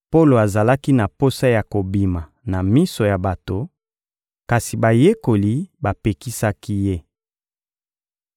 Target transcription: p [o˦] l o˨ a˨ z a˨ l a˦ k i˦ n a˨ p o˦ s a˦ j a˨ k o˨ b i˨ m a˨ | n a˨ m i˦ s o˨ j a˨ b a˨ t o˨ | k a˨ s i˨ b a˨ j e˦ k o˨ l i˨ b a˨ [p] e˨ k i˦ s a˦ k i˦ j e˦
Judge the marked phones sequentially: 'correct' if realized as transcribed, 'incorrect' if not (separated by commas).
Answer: correct, correct